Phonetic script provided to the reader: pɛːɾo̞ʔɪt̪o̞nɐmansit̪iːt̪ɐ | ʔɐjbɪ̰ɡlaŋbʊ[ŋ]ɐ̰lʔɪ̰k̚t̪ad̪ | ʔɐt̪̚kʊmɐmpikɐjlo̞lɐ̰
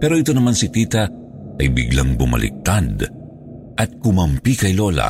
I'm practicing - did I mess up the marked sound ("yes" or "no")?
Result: yes